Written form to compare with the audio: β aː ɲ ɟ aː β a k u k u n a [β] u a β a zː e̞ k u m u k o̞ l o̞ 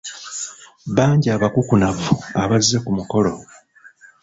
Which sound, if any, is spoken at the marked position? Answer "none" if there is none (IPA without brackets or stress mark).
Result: v